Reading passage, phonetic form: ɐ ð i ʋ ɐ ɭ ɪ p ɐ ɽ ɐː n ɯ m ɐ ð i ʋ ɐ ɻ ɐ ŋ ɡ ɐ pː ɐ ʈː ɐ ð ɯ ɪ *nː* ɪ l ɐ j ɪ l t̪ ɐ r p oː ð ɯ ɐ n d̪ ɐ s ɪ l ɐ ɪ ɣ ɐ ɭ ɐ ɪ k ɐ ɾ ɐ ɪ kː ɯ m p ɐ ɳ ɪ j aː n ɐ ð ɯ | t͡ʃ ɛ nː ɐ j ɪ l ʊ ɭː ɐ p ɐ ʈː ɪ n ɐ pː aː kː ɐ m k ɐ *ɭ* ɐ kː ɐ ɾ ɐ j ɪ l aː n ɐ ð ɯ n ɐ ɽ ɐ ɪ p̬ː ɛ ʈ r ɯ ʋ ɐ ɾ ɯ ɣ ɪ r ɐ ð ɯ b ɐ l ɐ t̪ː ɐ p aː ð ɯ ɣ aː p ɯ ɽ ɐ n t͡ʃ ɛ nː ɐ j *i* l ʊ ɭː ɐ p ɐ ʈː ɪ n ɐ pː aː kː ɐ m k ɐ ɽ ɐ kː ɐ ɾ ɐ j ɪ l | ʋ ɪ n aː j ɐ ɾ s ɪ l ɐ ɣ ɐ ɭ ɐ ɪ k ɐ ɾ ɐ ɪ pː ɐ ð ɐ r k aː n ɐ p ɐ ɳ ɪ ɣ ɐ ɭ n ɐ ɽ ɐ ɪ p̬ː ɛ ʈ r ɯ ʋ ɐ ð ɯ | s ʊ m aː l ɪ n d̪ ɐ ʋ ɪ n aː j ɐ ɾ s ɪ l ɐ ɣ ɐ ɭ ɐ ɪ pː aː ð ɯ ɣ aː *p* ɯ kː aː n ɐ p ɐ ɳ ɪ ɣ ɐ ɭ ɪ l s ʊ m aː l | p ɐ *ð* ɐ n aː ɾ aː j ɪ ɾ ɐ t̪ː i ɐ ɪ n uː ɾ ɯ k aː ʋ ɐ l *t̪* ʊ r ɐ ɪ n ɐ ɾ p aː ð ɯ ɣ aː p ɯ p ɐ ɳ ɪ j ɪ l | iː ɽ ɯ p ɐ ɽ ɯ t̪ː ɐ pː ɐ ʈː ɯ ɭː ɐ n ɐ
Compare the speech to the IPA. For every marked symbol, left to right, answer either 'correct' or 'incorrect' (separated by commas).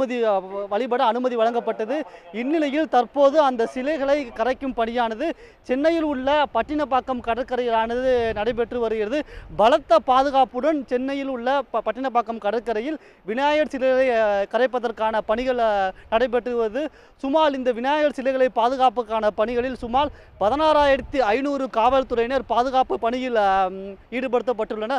correct, incorrect, incorrect, correct, correct, correct